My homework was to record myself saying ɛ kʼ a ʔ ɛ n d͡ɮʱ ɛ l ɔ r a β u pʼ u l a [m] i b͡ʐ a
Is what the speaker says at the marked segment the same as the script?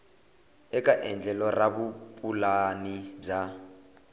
no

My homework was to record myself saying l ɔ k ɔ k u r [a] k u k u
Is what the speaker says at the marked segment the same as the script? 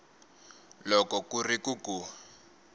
no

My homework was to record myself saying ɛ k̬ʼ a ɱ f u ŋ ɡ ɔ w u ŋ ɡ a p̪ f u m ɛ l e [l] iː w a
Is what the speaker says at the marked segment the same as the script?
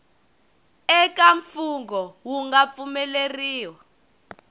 no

